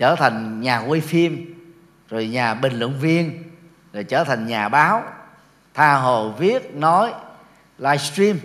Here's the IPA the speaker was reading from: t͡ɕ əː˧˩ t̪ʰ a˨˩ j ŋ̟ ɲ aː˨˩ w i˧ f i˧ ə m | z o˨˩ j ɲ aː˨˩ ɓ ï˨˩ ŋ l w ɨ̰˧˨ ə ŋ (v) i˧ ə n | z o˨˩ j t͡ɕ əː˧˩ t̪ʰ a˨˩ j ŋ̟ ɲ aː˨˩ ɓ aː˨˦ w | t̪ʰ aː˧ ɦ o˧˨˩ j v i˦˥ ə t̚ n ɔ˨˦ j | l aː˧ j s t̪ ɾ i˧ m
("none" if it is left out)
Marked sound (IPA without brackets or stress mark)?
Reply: v